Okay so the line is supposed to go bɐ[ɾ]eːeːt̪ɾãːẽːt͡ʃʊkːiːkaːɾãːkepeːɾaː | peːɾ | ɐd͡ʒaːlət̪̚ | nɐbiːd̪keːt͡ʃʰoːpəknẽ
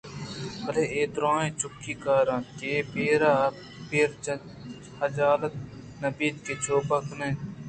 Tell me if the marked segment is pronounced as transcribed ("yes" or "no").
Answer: no